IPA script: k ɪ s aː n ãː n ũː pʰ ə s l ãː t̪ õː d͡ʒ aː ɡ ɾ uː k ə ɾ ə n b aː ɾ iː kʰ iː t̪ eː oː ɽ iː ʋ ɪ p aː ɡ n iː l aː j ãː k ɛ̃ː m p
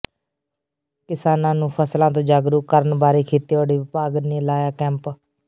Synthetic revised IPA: k ɪ s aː n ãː n ũː pʰ ə s l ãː t̪ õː d͡ʒ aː ɡ ɾ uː k ə ɾ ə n b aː ɾ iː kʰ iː t̪ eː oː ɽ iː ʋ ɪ p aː ɡ n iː l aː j aː k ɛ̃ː m p